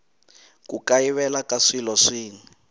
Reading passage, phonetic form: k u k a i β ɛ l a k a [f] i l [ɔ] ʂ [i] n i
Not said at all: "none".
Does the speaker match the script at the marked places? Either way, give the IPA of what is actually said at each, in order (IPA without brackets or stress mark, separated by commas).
ʂ, ɔ, iː